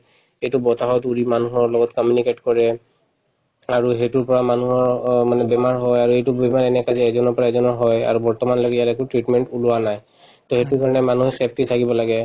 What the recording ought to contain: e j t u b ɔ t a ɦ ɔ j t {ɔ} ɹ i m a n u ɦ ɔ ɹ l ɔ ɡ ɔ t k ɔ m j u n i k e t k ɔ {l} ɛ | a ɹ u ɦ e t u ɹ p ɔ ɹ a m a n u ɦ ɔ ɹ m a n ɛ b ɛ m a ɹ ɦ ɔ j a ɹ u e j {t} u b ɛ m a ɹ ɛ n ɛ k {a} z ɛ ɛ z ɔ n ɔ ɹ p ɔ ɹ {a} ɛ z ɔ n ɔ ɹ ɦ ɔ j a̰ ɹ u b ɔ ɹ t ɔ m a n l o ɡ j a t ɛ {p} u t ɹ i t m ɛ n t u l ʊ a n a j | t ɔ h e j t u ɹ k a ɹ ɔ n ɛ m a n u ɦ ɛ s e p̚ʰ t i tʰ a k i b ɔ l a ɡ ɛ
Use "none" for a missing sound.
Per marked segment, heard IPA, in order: u, ɹ, t, a, a, k

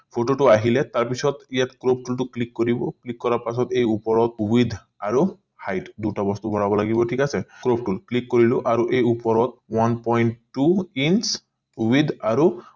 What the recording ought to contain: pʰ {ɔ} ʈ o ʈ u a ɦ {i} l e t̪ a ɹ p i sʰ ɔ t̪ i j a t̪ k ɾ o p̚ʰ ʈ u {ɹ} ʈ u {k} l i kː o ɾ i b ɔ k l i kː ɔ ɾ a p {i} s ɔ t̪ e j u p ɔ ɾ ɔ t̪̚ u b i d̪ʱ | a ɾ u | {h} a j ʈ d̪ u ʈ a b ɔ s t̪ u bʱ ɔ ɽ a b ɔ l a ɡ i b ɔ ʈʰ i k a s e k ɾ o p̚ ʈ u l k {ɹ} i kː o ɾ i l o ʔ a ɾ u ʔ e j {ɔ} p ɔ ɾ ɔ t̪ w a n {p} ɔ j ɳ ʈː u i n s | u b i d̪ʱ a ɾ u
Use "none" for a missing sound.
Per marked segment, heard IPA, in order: o, i, l, k, a, h, l, u, p

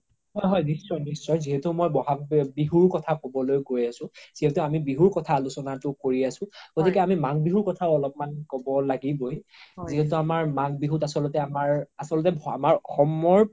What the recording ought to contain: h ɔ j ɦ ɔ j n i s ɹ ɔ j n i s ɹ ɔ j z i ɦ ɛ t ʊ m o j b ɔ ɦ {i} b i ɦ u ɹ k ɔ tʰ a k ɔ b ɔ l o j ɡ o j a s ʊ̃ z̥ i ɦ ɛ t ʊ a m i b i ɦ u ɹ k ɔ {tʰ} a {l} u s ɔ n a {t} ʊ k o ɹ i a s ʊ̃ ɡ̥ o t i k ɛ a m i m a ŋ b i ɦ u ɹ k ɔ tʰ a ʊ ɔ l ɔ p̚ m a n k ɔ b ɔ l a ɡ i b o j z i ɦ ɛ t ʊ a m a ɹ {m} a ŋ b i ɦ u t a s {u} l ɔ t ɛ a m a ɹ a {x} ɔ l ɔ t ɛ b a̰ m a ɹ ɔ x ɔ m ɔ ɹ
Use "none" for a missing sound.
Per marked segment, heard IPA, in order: a, tʰ, l, t, m, ɔ, s

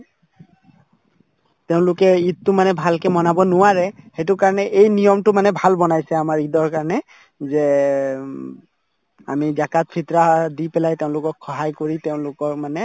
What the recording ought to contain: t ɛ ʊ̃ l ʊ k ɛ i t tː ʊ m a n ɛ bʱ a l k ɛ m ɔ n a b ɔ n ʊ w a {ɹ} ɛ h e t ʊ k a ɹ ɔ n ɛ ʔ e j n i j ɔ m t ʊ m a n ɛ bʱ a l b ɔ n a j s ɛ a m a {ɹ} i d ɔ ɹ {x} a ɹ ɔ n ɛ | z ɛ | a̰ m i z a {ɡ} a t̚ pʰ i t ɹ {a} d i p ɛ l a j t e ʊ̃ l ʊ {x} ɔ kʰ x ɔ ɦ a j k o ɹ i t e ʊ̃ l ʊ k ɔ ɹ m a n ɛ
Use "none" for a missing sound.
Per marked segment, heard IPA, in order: ɹ, ɹ, k, k, a, k

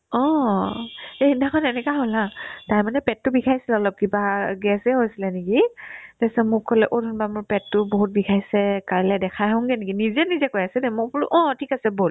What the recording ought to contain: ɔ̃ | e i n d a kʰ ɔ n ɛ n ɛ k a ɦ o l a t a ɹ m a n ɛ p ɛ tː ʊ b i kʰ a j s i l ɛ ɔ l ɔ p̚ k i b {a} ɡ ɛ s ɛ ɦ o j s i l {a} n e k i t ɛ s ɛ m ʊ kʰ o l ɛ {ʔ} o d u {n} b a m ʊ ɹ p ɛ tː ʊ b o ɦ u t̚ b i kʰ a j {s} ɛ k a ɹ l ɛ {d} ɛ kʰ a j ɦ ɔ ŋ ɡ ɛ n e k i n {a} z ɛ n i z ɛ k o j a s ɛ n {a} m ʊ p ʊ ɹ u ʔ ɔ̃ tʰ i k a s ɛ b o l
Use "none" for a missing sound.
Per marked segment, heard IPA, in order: a, ɛ, ʔ, n, s, d, i, ɛ

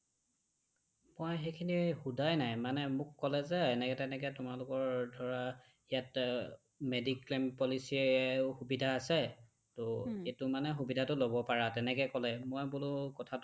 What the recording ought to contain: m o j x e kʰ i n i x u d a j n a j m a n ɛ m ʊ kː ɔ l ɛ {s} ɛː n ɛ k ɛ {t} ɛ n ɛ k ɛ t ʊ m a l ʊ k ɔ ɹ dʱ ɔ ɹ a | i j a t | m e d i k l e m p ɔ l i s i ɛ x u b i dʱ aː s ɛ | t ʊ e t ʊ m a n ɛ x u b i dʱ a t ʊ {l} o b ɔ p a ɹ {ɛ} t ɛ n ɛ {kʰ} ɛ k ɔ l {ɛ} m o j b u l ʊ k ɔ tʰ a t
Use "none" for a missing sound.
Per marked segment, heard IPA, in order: z, t, l, a, k, ɛ

